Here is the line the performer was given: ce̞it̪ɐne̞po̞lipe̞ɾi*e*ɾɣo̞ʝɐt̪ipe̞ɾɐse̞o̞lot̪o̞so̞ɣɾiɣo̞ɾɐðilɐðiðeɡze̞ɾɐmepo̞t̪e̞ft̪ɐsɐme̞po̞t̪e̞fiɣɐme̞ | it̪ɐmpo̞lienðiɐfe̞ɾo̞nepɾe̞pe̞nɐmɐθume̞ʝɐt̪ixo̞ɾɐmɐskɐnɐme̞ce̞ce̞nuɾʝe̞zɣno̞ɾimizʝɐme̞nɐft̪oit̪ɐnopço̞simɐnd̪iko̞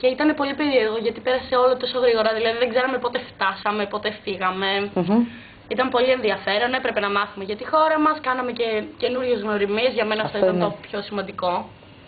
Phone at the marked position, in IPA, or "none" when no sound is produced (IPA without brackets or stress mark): e